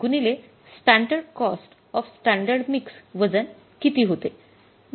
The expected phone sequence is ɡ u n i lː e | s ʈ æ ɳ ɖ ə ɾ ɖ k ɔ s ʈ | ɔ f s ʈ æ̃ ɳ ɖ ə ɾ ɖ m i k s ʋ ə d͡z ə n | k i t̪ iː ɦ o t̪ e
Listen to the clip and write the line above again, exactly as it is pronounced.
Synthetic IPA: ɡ u n i l e | s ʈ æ ɳ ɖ ə ɾ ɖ k ɔ s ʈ | ɔ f s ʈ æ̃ ɳ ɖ ə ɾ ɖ m i k s ʋ ə d͡z ə n | k i t̪ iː ɦ o t̪ e